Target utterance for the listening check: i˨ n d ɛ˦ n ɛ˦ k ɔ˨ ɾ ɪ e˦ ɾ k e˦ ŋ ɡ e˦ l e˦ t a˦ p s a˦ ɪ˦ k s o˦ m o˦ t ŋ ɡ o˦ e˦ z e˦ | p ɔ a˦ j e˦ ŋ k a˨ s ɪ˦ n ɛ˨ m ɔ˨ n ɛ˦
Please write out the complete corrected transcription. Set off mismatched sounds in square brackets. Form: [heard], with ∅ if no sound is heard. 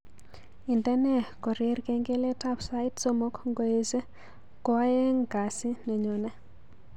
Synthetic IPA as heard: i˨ n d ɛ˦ n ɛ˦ k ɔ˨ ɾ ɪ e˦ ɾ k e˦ ŋ ɡ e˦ l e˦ t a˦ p s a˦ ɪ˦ [t] s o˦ m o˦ [k] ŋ ɡ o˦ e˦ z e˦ | [k] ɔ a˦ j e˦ ŋ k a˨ s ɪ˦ n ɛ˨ [ɲ] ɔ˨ n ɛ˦